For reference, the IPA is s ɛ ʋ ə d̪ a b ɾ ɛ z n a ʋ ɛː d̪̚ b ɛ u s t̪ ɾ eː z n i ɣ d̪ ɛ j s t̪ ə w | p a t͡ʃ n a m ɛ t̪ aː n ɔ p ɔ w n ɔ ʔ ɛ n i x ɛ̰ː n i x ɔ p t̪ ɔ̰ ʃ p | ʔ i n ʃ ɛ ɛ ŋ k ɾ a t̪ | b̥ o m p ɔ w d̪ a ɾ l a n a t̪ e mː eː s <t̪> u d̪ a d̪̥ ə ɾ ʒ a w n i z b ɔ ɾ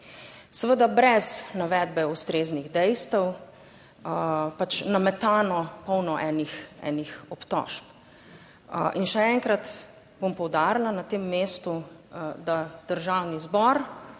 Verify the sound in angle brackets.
correct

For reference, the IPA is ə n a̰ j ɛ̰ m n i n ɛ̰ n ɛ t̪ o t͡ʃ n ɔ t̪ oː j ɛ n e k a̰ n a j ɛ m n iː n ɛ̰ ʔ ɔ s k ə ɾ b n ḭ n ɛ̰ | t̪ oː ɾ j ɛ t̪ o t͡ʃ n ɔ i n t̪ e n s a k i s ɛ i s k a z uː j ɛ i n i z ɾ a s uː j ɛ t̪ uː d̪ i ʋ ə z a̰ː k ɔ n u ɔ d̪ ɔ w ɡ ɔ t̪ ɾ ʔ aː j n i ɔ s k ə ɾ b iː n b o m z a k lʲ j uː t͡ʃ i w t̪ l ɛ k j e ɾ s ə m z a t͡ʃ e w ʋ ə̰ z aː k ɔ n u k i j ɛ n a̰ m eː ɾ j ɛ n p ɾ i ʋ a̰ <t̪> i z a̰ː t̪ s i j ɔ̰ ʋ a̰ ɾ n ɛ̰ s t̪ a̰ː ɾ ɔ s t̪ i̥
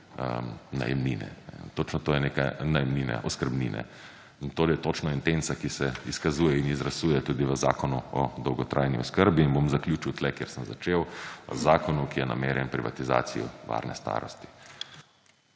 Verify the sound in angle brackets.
correct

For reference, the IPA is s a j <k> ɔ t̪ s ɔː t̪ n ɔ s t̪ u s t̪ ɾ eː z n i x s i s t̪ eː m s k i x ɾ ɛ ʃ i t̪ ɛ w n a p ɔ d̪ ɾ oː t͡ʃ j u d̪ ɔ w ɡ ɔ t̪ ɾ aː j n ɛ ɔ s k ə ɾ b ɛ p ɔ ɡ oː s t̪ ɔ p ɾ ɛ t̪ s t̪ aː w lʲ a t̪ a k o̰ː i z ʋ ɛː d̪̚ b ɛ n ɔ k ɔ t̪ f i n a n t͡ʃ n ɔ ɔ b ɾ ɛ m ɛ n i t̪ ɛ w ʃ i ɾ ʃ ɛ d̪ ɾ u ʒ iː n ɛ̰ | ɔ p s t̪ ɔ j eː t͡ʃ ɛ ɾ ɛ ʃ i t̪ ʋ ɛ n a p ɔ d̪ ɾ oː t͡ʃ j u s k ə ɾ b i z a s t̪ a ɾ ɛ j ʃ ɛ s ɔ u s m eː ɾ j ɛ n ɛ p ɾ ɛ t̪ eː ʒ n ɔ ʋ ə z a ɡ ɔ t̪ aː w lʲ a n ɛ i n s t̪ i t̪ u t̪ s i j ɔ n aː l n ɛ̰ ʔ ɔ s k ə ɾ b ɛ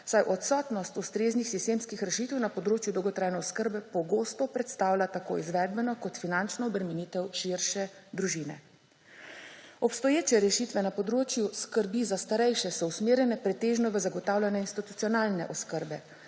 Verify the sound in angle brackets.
incorrect: ʔ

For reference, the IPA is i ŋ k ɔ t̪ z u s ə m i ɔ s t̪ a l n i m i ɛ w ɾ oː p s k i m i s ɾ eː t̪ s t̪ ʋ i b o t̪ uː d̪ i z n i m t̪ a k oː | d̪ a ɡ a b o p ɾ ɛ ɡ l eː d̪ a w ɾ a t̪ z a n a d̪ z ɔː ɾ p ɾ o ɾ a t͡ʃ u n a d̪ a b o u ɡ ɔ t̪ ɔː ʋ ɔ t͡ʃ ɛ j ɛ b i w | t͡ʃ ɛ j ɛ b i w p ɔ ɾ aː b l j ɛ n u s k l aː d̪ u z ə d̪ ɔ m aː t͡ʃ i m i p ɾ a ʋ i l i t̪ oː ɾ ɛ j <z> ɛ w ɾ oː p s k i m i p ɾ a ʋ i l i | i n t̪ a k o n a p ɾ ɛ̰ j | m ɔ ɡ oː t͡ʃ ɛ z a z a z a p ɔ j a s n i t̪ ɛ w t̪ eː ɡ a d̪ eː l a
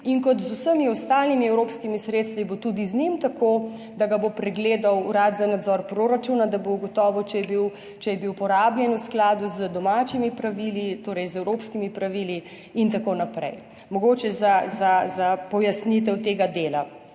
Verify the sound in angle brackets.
correct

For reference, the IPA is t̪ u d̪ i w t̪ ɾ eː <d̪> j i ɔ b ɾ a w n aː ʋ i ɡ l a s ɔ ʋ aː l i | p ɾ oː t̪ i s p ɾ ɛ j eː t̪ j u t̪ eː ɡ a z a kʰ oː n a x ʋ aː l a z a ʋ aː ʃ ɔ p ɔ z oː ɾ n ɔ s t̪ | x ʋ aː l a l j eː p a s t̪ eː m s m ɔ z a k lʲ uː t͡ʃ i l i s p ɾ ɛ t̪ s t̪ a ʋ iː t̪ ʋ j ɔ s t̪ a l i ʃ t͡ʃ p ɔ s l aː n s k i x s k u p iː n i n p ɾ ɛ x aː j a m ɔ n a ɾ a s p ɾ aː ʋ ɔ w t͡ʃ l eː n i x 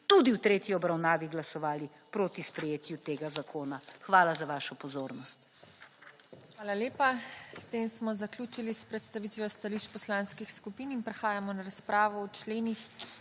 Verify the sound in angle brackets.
incorrect: t̪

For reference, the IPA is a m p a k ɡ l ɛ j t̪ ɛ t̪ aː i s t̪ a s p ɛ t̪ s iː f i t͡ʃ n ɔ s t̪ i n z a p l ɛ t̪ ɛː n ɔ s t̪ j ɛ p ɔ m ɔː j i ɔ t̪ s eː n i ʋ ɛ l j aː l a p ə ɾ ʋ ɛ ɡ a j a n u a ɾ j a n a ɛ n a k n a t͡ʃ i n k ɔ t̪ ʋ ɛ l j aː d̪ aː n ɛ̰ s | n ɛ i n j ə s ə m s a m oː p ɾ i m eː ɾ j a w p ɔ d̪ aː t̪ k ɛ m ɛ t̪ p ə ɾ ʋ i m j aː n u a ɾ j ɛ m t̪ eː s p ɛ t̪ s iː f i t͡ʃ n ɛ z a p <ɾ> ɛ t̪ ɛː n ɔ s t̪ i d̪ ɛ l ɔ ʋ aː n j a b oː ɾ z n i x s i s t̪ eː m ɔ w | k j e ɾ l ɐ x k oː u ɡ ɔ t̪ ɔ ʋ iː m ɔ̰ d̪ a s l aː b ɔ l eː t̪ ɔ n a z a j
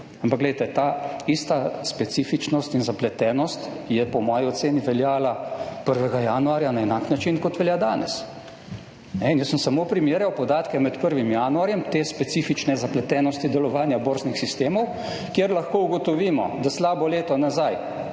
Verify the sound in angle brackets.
incorrect: l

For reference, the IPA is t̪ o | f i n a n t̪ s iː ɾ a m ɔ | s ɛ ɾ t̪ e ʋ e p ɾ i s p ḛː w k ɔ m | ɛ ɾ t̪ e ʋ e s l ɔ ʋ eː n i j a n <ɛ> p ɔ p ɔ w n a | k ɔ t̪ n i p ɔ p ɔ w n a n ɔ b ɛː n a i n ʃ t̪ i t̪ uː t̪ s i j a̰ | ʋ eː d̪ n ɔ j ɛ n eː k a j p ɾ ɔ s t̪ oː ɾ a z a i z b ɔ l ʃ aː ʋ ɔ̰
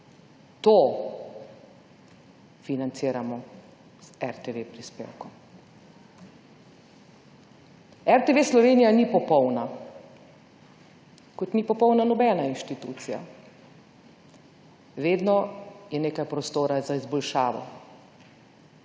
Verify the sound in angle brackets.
incorrect: i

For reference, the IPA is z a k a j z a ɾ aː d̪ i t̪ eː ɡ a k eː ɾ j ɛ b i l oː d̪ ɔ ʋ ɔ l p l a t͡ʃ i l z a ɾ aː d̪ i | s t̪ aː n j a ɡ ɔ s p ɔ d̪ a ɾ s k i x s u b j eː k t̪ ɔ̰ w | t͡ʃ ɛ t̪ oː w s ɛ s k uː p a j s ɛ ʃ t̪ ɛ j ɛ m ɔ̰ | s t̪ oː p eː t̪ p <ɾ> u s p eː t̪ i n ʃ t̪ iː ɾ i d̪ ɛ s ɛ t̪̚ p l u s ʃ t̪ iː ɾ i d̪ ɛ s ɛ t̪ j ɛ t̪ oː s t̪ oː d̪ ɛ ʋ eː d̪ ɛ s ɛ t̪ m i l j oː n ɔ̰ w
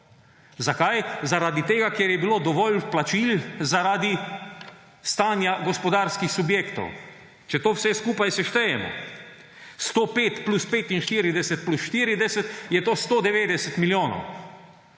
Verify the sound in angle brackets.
incorrect: l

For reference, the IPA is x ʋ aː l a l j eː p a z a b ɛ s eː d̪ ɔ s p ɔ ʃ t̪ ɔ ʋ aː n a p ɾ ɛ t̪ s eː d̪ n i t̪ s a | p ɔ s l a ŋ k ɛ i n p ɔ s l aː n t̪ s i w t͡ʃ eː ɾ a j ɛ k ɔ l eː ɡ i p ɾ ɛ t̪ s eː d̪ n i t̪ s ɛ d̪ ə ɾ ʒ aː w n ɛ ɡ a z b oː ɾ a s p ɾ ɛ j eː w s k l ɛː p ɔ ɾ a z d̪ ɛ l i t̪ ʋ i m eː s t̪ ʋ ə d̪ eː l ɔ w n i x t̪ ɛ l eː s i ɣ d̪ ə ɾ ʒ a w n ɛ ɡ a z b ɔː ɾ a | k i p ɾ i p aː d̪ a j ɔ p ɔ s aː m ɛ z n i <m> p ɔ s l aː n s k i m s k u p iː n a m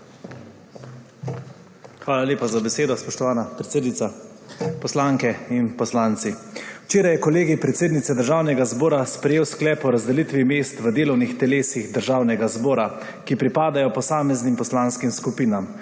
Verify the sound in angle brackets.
correct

